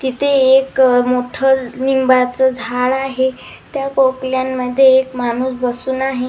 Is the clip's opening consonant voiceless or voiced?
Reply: voiceless